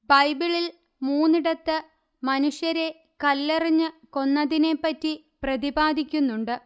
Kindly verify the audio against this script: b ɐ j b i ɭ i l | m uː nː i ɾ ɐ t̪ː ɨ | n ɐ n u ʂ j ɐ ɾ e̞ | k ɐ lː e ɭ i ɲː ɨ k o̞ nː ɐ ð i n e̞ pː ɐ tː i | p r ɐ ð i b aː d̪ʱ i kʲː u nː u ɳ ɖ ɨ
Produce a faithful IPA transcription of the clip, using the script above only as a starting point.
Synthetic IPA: b ɐ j b i ɭ i l | m uː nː i ɽ ɐ t̪ː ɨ | m ɐ n u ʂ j ɐ ɾ e̞ | k ɐ lː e r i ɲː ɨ k o̞ nː ɐ ð i n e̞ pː ɐ tː i | p r ɐ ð i b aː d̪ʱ i kʲː u nː u ɳ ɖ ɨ